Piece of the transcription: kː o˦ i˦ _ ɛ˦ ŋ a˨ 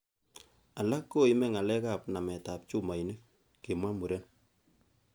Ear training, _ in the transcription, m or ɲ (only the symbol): m